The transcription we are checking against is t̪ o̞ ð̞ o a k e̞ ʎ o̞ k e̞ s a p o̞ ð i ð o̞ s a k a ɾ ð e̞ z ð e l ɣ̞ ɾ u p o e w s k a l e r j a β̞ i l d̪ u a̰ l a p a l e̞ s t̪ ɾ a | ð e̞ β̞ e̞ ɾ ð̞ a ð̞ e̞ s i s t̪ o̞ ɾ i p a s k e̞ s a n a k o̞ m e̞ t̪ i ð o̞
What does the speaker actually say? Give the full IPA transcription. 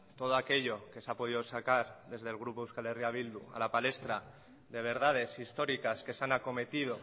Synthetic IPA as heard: t̪ o̞ ð̞ o a k e̞ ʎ o̞ k e̞ s a p o̞ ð i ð o̞ s a k a ɾ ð e̞ z ð e l ɣ̞ ɾ u p o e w s k a l e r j a β̞ i l d̪ u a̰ l a p a l e̞ s t̪ ɾ a | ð e̞ β̞ e̞ ɾ ð̞ a ð̞ e̞ s i s t̪ o̞ ɾ i k a s k e̞ s a n a k o̞ m e̞ t̪ i ð o̞